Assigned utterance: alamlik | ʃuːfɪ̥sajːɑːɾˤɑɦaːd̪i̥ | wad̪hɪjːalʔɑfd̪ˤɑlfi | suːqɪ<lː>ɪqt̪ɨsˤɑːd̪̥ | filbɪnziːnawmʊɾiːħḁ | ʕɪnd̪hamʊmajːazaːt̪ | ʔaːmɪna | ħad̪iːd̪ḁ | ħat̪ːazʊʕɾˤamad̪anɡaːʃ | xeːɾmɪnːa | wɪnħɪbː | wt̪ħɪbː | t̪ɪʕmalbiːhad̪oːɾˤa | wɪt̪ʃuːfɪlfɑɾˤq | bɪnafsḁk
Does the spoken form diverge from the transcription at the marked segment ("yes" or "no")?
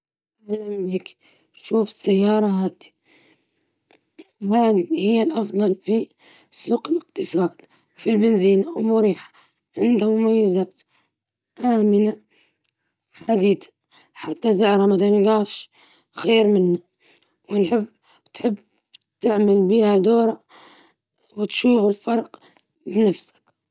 yes